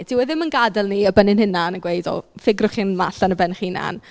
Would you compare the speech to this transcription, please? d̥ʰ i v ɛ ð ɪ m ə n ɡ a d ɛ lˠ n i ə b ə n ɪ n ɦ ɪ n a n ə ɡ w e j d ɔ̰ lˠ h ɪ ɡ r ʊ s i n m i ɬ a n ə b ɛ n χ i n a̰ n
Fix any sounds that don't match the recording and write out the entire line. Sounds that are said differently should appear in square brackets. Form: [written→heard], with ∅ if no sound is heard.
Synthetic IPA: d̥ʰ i [v→w] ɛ ð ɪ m ə n ɡ a d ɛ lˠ n i ə b ə n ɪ n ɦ ɪ n a n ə ɡ w e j d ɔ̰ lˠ [h→f] ɪ ɡ r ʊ [s→χ] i n m [i→a] ɬ a n ə b ɛ n χ i n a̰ n